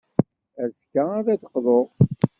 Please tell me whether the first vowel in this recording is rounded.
no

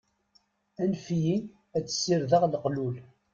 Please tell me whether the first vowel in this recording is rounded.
no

